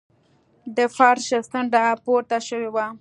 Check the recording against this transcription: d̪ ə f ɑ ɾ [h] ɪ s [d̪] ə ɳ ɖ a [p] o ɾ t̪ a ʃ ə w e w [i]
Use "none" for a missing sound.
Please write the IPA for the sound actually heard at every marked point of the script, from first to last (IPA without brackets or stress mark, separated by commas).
ʃ, t̪, p, a